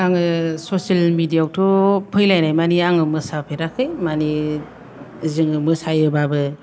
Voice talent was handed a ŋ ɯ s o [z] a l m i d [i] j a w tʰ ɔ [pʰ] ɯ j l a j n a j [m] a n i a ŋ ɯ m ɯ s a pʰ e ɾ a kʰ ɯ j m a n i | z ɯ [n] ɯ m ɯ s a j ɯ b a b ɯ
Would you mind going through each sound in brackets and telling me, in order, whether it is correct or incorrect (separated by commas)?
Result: incorrect, correct, correct, correct, incorrect